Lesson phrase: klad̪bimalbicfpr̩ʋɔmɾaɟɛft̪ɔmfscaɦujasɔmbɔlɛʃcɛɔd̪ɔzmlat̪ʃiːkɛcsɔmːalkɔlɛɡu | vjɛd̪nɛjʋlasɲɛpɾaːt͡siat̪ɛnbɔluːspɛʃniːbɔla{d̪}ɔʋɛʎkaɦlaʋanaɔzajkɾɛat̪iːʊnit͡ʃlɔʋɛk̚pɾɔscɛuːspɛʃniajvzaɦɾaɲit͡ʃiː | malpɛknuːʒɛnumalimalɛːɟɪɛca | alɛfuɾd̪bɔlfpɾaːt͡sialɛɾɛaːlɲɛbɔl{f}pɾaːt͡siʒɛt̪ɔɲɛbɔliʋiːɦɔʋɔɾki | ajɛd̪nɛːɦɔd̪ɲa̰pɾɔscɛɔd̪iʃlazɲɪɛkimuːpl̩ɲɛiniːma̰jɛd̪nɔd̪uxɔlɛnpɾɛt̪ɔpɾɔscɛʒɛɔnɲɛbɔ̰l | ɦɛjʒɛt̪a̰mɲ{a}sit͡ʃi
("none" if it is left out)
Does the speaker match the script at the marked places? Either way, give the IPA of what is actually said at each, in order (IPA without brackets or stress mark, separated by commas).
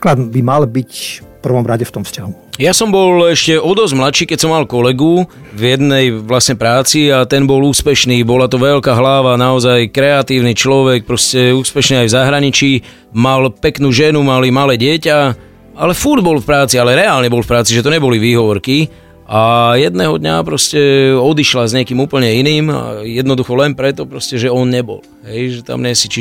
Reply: t̪, f, ɛ